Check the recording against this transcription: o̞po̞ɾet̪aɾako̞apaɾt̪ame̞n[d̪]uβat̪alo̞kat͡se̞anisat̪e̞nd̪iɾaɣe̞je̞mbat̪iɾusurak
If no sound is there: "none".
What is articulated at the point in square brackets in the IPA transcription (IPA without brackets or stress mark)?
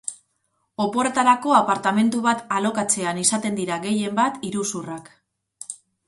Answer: t̪